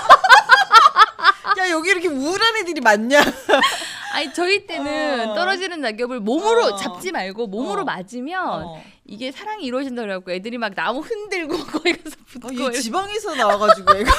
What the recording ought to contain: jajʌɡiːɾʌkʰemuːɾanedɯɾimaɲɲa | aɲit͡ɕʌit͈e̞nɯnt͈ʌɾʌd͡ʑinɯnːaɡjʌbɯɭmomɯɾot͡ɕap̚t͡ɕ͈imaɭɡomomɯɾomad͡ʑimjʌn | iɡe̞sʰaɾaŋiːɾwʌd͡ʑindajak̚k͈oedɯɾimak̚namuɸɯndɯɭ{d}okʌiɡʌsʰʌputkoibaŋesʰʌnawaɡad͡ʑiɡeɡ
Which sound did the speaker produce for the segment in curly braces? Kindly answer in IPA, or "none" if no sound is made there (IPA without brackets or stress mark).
ɡ